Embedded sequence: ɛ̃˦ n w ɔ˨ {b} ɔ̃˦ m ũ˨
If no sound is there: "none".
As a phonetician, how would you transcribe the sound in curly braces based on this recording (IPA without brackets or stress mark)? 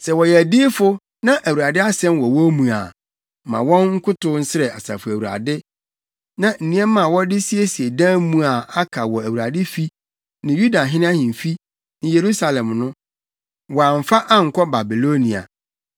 w